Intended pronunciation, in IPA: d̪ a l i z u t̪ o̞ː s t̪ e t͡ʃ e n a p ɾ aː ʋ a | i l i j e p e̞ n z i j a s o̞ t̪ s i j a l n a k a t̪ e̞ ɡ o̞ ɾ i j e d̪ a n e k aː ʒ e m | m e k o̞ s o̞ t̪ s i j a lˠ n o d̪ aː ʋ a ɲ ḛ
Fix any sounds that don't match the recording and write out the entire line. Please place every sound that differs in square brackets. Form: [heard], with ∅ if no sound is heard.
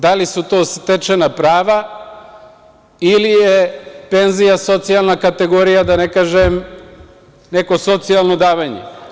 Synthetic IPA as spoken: d̪ a l i [s] u t̪ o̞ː s t̪ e t͡ʃ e n a p ɾ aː ʋ a | i l i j e p e̞ n z i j a s o̞ t̪ s i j a l n a k a t̪ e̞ ɡ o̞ ɾ i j [a] d̪ a n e k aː ʒ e m | [n] e k o̞ s o̞ t̪ s i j a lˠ n o d̪ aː ʋ a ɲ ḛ